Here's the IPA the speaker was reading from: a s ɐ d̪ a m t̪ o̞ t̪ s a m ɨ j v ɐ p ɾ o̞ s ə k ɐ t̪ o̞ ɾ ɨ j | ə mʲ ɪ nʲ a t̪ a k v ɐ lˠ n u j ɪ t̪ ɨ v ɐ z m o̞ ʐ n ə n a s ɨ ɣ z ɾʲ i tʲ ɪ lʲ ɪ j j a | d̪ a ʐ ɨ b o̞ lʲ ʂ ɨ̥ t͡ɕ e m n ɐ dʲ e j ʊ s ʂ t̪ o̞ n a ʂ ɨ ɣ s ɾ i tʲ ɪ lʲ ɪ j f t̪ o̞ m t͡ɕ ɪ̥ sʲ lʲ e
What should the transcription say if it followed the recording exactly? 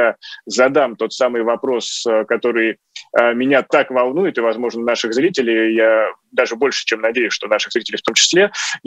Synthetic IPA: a z ɐ d̪ a m t̪ o̞ t̪ s a m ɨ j v ɐ p ɾ o̞ s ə k ɐ t̪ o̞ ɾ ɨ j | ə mʲ ɪ nʲ a t̪ a k v ɐ lˠ n u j ɪ t̪ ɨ v ɐ z m o̞ ʐ n ə n a ʂ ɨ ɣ z ɾʲ i tʲ ɪ lʲ ɪ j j a | d̪ a ʐ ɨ b o̞ lʲ ʂ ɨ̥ t͡ɕ e m n ɐ dʲ e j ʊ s ʂ t̪ o̞ n a ʂ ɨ ɣ z ɾ i tʲ ɪ lʲ ɪ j f t̪ o̞ m t͡ɕ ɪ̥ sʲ lʲ e